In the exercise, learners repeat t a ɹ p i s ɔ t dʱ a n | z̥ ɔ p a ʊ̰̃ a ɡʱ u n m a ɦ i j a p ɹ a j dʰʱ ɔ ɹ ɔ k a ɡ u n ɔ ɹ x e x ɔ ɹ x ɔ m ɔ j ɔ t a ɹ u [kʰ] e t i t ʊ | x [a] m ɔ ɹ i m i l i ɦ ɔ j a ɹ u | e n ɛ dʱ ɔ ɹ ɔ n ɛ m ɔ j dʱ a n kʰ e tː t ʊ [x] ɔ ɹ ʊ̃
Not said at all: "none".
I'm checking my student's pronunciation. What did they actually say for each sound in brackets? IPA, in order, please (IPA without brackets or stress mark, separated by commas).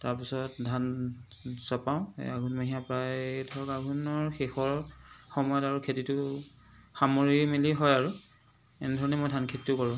kʰ, a, k